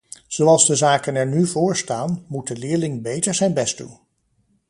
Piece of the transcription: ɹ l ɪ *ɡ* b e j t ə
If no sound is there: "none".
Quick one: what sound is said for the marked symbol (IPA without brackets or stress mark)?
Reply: ŋ